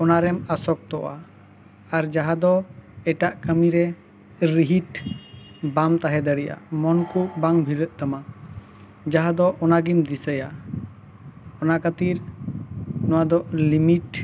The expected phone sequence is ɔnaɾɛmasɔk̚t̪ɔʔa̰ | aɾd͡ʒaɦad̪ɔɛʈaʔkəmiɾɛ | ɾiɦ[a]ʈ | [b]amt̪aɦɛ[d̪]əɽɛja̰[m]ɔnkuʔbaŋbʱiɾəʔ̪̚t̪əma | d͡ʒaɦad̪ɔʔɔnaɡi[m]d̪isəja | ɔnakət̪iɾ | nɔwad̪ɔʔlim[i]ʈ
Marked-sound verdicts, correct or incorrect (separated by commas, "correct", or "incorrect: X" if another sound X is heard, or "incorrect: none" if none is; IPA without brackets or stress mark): incorrect: i, correct, correct, correct, correct, correct